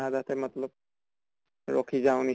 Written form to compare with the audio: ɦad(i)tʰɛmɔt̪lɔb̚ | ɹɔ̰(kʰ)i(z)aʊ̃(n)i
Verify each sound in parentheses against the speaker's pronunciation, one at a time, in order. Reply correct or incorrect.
incorrect, correct, correct, correct

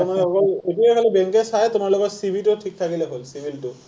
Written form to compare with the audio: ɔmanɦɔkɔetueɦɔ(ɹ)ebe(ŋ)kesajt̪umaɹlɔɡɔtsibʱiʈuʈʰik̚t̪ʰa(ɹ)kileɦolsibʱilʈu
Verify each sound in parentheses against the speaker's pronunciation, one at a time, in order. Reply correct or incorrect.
incorrect, correct, incorrect

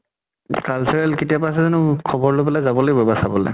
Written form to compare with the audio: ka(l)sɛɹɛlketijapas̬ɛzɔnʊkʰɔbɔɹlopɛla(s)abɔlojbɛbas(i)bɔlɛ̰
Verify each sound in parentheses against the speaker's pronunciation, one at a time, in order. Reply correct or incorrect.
correct, incorrect, incorrect

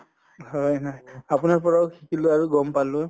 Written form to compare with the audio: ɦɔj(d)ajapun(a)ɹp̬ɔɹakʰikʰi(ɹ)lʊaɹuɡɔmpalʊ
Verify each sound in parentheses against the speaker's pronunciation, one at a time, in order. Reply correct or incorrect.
incorrect, correct, incorrect

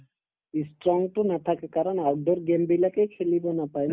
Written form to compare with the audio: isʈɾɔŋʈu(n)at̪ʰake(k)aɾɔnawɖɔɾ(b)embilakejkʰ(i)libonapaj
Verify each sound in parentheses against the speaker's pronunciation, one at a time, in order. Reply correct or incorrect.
correct, correct, incorrect, incorrect

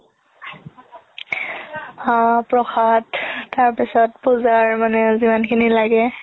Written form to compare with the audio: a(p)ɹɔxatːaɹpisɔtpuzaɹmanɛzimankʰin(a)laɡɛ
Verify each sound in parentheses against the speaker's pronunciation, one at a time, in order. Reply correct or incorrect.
correct, incorrect

